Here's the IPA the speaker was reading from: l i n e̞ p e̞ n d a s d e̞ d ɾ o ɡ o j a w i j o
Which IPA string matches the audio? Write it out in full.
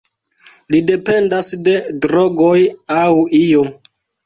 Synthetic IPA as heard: l i d e̞ p e̞ n d a s d e̞ d ɾ o ɡ o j a w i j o